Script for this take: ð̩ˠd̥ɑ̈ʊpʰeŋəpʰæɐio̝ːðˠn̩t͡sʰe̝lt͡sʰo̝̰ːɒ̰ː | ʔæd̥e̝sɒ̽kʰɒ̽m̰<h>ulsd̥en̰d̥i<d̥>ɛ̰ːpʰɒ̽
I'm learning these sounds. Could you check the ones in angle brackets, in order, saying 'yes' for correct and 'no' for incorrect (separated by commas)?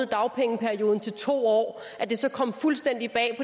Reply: no, no